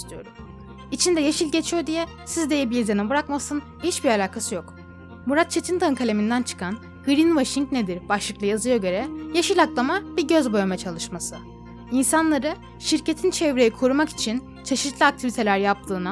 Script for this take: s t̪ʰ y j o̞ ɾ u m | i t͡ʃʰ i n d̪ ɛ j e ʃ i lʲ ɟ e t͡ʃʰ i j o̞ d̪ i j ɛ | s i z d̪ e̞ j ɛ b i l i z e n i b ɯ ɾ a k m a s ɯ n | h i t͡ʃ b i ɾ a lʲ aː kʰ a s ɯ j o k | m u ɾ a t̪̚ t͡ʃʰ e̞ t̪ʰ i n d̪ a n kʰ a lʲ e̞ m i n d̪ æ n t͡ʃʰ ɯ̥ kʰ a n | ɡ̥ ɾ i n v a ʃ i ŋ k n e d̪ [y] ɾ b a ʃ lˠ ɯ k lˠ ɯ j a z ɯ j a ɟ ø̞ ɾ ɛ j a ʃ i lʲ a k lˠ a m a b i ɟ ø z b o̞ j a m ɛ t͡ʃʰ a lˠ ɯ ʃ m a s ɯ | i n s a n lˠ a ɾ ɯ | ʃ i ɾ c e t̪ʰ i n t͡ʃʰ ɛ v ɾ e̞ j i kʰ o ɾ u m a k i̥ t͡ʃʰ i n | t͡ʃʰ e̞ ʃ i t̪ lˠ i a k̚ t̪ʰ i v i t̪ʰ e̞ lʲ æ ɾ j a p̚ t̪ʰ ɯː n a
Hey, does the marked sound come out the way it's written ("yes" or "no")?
no